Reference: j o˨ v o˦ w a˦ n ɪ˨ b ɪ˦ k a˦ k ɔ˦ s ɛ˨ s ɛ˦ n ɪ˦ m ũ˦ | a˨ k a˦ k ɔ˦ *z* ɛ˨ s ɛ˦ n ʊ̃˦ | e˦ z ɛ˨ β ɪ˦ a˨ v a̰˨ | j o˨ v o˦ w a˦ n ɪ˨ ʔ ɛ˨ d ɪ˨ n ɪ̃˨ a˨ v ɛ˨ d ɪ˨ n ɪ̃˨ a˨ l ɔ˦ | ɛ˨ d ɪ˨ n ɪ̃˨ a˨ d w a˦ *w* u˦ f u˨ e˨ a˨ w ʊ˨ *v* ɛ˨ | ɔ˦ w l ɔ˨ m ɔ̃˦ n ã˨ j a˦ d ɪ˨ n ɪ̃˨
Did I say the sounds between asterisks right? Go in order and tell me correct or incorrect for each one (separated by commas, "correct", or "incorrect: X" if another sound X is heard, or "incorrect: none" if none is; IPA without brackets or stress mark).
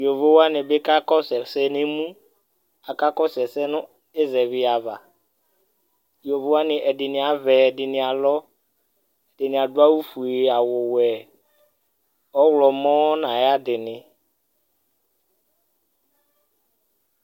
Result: incorrect: s, correct, incorrect: w